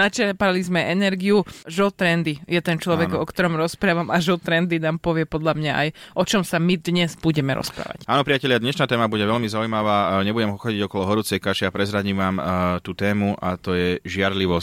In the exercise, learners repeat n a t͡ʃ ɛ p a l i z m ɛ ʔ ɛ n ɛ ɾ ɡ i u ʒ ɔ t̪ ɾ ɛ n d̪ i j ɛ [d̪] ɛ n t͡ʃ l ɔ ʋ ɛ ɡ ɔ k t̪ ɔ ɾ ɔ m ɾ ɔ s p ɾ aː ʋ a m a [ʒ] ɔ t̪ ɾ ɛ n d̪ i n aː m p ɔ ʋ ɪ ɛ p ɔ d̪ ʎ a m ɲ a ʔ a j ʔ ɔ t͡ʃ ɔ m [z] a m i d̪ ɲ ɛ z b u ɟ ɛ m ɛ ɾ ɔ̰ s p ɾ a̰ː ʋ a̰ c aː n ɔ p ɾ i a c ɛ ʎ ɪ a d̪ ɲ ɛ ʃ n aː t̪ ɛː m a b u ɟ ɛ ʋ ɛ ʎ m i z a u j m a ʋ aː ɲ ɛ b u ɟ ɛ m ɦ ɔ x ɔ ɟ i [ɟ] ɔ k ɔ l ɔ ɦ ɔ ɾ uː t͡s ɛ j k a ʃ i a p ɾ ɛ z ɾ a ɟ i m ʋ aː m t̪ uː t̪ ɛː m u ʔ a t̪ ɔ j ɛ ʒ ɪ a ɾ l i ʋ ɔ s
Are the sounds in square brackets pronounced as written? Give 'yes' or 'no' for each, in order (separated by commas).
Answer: no, yes, no, yes